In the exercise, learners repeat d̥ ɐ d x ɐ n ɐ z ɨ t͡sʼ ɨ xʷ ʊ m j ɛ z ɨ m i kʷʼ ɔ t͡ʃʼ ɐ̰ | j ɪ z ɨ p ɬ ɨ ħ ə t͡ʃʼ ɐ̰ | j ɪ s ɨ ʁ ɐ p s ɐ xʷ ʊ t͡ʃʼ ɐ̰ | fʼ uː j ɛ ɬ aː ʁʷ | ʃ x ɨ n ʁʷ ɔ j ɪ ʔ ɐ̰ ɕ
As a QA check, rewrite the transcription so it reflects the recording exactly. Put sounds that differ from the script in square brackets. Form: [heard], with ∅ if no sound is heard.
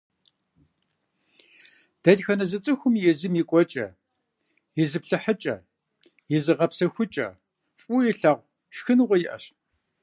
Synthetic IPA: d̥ ɐ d x ɐ n ɐ z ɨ t͡sʼ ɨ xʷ ʊ m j ɛ z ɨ m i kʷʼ ɔ t͡ʃʼ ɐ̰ | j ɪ z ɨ p ɬ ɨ ħ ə t͡ʃʼ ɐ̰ | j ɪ [z] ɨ ʁ ɐ p s ɐ xʷ ʊ t͡ʃʼ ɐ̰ | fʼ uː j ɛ ɬ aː ʁʷ | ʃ x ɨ n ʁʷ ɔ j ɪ ʔ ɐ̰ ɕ

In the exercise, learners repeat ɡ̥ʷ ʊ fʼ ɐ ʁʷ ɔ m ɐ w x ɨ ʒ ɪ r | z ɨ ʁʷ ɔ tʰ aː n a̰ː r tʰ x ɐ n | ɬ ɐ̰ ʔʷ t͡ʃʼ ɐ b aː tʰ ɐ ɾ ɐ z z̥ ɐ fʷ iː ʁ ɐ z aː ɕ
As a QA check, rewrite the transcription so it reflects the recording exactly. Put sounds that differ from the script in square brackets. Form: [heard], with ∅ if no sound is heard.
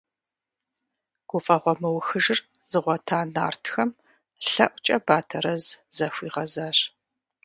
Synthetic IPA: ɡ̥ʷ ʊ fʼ ɐ ʁʷ ɔ m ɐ w x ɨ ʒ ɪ r | z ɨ ʁʷ ɔ tʰ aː n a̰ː r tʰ x ɐ [m] | ɬ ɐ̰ ʔʷ t͡ʃʼ ɐ b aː tʰ ɐ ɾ ɐ z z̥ ɐ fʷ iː ʁ ɐ z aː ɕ

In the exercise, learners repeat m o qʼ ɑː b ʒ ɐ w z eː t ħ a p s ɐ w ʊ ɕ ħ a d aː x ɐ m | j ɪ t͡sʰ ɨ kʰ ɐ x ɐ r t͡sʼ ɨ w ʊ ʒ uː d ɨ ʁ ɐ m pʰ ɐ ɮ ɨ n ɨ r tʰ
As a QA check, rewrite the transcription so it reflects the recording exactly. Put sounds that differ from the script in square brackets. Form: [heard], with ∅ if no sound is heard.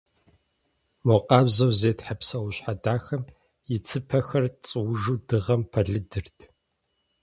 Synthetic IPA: m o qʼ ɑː b [z] ɐ w z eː t ħ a p s ɐ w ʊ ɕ ħ a d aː x ɐ m | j ɪ t͡sʰ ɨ [pʰ] ɐ x ɐ r t͡sʼ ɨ w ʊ ʒ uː d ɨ ʁ ɐ m pʰ ɐ ɮ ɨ [d] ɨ r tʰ

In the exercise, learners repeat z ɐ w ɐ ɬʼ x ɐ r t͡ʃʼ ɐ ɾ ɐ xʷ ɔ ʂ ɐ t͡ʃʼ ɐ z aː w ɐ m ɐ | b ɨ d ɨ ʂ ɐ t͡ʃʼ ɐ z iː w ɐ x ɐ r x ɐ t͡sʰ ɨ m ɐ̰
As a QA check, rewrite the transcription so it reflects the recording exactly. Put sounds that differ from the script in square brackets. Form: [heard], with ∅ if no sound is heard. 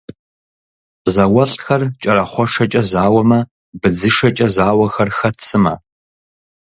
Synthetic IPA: z ɐ w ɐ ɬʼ x ɐ r t͡ʃʼ ɐ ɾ ɐ [χʷ] ɔ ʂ ɐ t͡ʃʼ ɐ z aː w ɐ m ɐ | b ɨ [d͡z] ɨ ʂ ɐ t͡ʃʼ ɐ z [aː] w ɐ x ɐ r x ɐ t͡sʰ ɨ m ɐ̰

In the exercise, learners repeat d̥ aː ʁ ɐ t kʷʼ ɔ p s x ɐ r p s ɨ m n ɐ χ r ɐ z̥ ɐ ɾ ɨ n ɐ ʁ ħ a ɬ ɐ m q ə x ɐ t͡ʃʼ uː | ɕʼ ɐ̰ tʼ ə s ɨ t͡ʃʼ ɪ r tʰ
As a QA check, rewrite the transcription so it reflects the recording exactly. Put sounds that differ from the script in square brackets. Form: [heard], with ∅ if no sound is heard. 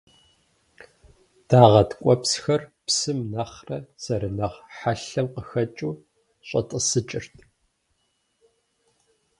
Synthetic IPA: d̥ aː ʁ ɐ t kʷʼ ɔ p s x ɐ r p s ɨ m n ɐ χ r ɐ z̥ ɐ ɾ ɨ n ɐ ʁ ħ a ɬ ɐ m q ə x ɐ t͡ʃʼ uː | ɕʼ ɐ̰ tʼ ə s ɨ t͡ʃʼ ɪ r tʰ

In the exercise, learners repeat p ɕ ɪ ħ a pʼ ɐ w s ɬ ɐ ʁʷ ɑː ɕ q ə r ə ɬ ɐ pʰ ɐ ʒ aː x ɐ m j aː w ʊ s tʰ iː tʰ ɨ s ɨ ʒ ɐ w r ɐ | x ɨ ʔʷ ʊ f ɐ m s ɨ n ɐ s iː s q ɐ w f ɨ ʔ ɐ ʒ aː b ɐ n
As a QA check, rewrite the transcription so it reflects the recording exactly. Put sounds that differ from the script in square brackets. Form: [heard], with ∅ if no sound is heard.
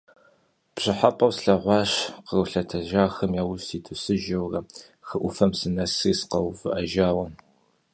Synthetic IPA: p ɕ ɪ ħ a pʼ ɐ w s ɬ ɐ ʁʷ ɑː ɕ q ə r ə ɬ ɐ [tʰ] ɐ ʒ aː x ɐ m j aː w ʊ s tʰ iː tʰ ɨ s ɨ ʒ ɐ w r ɐ | x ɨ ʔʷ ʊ f ɐ m s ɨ n ɐ s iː s q ɐ w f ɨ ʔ ɐ ʒ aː [w] ɐ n

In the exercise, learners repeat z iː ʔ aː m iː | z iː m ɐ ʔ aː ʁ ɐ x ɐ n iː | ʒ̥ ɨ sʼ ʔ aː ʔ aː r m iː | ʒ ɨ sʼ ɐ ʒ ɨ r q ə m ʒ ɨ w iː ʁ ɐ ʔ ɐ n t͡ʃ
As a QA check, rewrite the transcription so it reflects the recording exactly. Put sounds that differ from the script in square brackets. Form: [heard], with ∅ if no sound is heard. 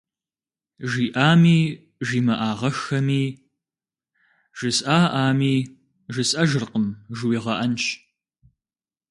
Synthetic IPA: [ʒ] iː ʔ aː m iː | [ʒ] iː m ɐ ʔ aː ʁ ɐ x ɐ [m] iː | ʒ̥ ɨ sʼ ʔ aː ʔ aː [∅] m iː | ʒ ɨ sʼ ɐ ʒ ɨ r q ə m ʒ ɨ w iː ʁ ɐ ʔ ɐ n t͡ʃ

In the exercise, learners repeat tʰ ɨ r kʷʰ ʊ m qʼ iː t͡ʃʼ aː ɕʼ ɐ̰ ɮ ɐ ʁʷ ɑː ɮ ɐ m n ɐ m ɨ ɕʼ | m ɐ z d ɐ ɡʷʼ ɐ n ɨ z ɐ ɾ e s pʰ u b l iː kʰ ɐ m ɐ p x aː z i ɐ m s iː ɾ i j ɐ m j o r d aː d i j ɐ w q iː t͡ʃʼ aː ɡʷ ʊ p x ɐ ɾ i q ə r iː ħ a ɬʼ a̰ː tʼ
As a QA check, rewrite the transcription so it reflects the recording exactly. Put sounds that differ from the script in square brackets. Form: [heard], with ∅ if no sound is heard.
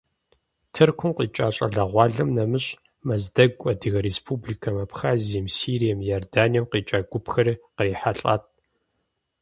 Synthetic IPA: tʰ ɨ r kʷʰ ʊ m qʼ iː t͡ʃʼ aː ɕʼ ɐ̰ ɮ ɐ ʁʷ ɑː ɮ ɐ m n ɐ m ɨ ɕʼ | m ɐ z d ɐ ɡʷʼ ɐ [d] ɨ [ɣ] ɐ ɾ e s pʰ u b l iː kʰ ɐ m ɐ p x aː z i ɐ m s iː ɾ i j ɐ m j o r d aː [n] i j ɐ w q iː t͡ʃʼ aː ɡʷ ʊ p x ɐ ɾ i q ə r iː ħ a ɬʼ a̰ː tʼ

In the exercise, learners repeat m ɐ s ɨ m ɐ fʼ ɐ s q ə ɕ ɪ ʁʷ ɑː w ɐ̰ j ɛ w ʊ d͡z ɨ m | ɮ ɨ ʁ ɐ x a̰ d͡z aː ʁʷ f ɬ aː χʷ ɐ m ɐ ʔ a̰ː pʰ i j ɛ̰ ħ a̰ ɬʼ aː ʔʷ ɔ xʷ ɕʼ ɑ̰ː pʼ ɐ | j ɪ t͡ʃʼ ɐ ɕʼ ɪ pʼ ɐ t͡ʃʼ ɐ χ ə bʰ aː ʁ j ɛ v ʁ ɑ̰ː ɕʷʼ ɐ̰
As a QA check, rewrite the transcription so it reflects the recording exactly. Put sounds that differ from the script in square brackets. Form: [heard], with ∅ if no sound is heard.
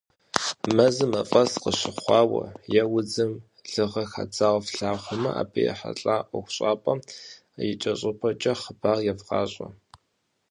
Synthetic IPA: m ɐ [z] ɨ m ɐ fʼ ɐ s q ə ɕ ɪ [χʷ] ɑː w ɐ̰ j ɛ w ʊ d͡z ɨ m | ɮ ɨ ʁ ɐ x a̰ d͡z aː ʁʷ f ɬ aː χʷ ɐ m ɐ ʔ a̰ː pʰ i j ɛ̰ ħ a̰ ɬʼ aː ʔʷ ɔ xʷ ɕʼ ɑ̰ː pʼ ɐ | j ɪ t͡ʃʼ ɐ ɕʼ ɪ pʼ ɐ t͡ʃʼ ɐ χ ə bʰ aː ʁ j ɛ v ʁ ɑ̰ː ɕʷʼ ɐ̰

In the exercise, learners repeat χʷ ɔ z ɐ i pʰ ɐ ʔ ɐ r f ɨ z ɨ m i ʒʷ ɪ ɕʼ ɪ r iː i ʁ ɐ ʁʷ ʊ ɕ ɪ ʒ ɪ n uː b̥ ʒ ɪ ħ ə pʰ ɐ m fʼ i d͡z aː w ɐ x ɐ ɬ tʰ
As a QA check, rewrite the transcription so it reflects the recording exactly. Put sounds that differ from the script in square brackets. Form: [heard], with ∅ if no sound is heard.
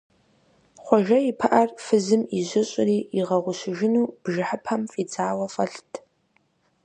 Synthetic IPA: χʷ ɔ [ʒ] ɐ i pʰ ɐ ʔ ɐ r f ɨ z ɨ m i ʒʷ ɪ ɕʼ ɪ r iː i ʁ ɐ ʁʷ ʊ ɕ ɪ ʒ ɪ n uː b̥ ʒ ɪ ħ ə pʰ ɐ m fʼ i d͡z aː w ɐ [f] ɐ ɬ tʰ

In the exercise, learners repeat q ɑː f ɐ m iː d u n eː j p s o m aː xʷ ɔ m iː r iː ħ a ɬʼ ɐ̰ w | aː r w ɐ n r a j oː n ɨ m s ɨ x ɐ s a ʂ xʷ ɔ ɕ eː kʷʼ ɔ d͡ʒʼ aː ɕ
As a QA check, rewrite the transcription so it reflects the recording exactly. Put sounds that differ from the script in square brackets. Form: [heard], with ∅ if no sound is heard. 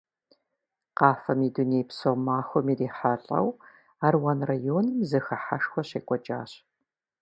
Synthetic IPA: q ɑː f ɐ m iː d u n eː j p s o m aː xʷ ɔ m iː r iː ħ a ɬʼ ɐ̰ w | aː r w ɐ n r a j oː n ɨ m [z] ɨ x ɐ [ħ] a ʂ xʷ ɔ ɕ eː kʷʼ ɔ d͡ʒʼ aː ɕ

